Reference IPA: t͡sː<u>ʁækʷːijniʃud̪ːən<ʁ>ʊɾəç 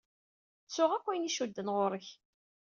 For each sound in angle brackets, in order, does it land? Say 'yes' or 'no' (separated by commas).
no, yes